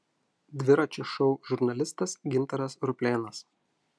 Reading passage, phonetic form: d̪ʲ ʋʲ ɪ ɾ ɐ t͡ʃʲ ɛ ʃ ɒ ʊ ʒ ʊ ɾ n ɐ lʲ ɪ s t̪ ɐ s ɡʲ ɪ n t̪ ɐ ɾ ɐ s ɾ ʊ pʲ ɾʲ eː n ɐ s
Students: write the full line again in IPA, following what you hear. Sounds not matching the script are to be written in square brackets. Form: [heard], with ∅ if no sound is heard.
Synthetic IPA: d̪ʲ ʋʲ ɪ ɾ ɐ t͡ʃʲ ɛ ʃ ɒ ʊ ʒ ʊ ɾ n ɐ lʲ ɪ s t̪ ɐ s ɡʲ ɪ n t̪ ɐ ɾ ɐ s ɾ ʊ pʲ [lʲ] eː n ɐ s